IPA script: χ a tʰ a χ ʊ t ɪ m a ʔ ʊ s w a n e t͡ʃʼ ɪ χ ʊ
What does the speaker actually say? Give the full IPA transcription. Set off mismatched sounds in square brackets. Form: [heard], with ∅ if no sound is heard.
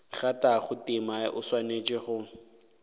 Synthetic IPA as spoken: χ a [t] a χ ʊ t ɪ m a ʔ ʊ s w a n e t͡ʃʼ ɪ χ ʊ